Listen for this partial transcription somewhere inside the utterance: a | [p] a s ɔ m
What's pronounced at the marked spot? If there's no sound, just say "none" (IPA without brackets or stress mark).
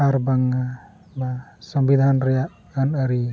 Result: b